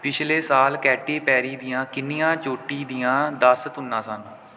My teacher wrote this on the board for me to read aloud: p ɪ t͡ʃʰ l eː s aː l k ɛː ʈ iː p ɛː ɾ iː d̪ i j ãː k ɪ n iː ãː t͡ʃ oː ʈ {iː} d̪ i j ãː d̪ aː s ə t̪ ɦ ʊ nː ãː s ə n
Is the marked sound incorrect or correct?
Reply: correct